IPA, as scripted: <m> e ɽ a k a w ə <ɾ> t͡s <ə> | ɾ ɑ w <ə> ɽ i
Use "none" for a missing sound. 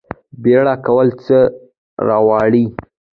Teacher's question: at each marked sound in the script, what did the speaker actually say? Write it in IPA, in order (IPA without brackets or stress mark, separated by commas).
b, l, ə, ɑ